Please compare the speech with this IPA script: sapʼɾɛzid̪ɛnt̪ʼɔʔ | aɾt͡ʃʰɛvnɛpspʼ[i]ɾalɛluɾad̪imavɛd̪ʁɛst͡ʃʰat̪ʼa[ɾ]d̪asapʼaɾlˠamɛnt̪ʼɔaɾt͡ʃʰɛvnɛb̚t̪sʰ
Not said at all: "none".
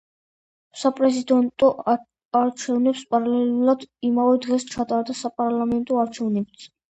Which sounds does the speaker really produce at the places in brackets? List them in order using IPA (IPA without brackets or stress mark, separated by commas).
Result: a, ɾ